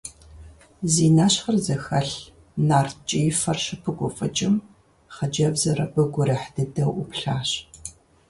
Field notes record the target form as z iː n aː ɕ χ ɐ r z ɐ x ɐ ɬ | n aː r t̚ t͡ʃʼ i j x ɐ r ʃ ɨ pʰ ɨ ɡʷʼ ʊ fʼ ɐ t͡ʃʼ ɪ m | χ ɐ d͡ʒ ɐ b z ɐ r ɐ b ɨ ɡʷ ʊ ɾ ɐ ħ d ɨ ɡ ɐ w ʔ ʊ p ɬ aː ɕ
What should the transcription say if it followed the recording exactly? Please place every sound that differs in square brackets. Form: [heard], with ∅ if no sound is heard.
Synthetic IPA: z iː n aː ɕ χ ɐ r z ɐ x ɐ ɬ | n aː r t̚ t͡ʃʼ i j [f] ɐ r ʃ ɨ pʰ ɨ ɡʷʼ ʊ fʼ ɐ t͡ʃʼ ɪ m | χ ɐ d͡ʒ ɐ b z ɐ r ɐ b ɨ ɡʷ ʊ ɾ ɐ ħ d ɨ [d] ɐ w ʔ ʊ p ɬ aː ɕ